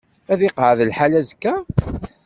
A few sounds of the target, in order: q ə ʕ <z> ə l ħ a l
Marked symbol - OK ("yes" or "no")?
no